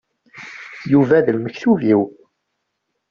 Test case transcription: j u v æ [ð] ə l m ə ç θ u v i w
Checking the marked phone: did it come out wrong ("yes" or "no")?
no